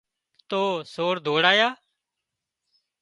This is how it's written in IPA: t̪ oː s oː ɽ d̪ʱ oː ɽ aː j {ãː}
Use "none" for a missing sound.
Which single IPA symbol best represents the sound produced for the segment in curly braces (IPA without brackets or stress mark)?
aː